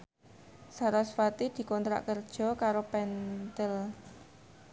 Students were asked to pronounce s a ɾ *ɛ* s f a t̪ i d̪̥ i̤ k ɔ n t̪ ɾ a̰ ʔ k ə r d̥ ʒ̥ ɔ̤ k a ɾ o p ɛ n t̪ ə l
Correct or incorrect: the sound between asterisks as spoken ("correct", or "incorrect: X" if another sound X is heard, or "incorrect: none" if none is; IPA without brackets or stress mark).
incorrect: a